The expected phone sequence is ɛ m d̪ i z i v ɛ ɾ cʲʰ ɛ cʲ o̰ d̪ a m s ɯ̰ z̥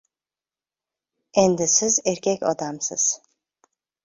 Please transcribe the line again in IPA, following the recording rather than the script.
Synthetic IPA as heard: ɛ n d̪ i s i z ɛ ɾ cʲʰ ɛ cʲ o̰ d̪ a m s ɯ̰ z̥